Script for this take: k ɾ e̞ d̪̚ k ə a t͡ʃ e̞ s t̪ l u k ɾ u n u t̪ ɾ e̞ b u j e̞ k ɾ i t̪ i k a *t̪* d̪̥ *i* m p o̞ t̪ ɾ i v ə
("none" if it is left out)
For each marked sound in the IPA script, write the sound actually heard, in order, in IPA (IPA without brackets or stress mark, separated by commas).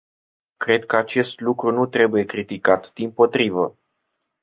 t̪, i